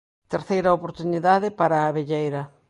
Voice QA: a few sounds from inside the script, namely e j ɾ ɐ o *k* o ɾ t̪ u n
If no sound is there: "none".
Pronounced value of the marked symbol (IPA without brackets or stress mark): p